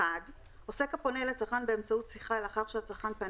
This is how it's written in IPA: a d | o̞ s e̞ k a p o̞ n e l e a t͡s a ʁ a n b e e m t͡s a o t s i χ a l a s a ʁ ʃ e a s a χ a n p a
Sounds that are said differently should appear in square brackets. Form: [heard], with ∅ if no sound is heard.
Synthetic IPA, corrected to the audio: a d | o̞ s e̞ k a p o̞ n e l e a t͡s a [χ] a n b e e m t͡s a [u] t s i χ a l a [χ] a ʁ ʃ e a [t͡s] a χ a n p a